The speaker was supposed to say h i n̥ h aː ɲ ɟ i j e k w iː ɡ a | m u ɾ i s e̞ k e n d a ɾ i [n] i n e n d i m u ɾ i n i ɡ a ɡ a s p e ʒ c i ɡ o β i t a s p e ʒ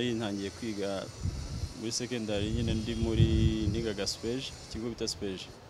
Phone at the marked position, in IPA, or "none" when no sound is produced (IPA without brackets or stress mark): ɲ